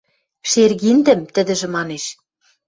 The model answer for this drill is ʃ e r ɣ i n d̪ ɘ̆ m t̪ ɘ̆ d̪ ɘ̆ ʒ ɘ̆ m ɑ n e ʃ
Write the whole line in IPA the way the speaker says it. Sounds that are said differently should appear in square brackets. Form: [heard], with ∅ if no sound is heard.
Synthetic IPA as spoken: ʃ e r ɣ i n d̪ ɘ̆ m t̪ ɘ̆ d̪ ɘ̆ ʒ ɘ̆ m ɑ n e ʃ